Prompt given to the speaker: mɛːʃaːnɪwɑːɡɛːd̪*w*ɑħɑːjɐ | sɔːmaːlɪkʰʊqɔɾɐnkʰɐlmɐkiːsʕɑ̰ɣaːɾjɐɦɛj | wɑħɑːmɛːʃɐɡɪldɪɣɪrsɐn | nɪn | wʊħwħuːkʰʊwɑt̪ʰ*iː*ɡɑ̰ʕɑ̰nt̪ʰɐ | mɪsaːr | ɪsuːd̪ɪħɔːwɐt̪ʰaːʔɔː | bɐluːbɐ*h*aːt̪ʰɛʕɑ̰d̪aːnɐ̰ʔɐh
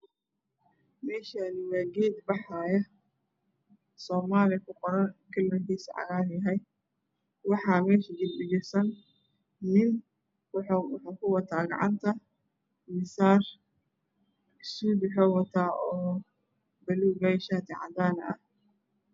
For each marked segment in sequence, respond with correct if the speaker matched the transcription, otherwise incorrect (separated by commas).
incorrect, incorrect, incorrect